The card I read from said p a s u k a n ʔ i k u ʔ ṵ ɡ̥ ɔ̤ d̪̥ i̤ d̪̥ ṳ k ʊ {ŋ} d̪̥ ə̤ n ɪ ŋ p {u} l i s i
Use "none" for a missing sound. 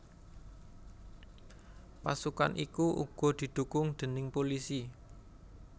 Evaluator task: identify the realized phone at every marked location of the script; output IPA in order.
ŋ, o

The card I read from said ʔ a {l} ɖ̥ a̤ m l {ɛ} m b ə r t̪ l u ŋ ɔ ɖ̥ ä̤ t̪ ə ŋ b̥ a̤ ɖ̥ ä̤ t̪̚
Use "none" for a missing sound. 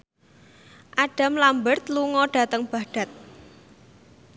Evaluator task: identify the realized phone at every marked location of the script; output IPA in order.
none, a

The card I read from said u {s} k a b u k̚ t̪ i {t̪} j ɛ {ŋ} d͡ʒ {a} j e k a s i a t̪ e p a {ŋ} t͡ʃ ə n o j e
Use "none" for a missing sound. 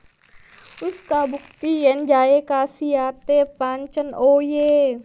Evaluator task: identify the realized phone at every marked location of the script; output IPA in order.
s, none, n, a, ɲ

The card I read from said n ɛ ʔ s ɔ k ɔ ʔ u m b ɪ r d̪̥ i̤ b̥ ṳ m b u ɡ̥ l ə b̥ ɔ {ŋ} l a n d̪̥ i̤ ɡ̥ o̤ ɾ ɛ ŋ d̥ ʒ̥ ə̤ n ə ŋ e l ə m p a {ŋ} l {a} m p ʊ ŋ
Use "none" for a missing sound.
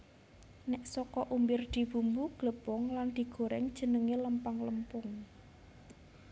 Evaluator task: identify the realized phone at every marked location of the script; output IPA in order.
ŋ, ŋ, ə

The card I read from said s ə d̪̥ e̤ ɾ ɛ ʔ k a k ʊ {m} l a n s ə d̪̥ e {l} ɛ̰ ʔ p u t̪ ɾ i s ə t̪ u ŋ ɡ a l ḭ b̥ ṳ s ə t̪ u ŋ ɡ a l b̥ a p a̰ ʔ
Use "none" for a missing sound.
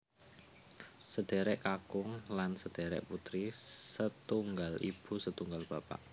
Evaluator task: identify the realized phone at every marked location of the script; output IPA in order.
ŋ, ɾ

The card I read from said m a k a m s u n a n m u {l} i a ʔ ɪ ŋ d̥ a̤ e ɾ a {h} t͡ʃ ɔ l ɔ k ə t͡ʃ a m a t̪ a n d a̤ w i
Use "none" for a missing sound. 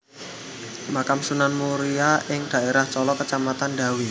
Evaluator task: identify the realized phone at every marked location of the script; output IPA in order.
ɾ, h

